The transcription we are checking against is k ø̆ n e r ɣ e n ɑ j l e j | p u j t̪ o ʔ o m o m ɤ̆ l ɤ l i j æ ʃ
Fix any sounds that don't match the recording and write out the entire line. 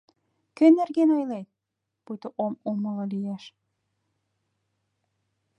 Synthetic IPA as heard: k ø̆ n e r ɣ e n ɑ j l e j | p u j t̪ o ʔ o m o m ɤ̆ l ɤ l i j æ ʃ

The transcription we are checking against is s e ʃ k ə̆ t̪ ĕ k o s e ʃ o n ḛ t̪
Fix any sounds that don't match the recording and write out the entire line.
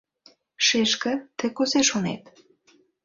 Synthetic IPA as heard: ʃ e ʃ k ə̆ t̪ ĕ k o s e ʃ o n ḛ t̪

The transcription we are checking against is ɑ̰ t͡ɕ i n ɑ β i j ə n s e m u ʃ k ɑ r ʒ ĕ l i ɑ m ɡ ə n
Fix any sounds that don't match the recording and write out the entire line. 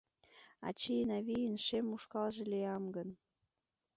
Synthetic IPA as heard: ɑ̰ t͡ɕ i n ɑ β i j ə n ʃ e m u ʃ k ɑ l ʒ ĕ l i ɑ m ɡ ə n

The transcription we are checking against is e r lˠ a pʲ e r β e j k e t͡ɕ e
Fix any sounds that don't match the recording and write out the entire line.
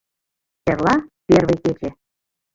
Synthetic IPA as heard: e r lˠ ɑ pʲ e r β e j k e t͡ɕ e

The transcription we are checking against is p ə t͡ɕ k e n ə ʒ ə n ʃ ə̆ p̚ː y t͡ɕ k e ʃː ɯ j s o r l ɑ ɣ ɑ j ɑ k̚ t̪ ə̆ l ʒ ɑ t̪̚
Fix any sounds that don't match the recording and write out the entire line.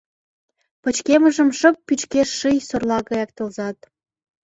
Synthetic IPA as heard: p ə t͡ɕ k e m ə ʒ ə m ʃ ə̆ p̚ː y t͡ɕ k e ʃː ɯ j s o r l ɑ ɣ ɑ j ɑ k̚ t̪ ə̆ l z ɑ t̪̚

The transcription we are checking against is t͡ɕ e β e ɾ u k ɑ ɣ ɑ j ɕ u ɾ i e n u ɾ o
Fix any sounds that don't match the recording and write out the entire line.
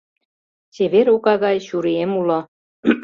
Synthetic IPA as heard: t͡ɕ e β e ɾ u k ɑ ɣ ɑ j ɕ u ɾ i e m u l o

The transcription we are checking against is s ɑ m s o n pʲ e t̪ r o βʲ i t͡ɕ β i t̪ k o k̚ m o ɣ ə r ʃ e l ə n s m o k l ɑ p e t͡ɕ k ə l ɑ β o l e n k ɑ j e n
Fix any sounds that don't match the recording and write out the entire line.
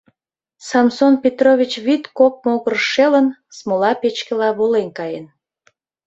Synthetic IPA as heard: s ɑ m s o n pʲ e t̪ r o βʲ i t͡ɕ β i t̪ k o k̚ m o ɣ ə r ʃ e l ə n s m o l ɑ p e t͡ɕ k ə l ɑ β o l e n k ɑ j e n

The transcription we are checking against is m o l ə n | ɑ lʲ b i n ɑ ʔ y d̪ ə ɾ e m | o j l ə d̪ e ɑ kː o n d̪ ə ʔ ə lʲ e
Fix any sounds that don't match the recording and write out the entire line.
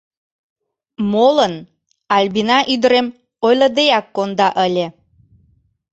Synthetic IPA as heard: m o l ə n | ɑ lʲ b i n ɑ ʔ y d̪ ə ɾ e m | o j l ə d̪ e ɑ kː o n d̪ ɑ ʔ ə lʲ e

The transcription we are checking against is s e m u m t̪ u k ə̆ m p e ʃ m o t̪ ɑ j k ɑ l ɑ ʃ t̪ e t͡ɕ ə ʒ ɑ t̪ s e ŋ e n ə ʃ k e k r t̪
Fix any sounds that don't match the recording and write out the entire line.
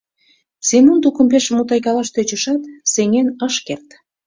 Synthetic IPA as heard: s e m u n t̪ u k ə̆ m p e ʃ m u t̪ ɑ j k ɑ l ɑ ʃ t̪ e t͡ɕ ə ʃ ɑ t̪ s e ŋ e n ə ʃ k e r t̪

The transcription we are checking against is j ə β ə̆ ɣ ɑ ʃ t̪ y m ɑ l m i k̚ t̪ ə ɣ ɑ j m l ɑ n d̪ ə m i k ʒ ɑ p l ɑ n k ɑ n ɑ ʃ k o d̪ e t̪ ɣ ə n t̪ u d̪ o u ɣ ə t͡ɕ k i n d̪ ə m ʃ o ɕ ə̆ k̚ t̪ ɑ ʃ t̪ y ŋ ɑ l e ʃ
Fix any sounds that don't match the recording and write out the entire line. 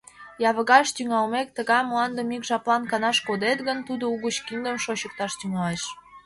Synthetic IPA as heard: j ɑ β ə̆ ɣ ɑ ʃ t̪ y ŋ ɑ l m e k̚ t̪ ə ɣ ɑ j m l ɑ n d̪ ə m i k ʒ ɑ p l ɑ n k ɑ n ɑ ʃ k o d̪ e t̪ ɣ ə n t̪ u d̪ o u ɣ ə t͡ɕ k i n d̪ ə m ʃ o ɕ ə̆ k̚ t̪ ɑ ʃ t̪ y ŋ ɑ l e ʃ

